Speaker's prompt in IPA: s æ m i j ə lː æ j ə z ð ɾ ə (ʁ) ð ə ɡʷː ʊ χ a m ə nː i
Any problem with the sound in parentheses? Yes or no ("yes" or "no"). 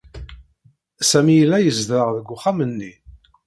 no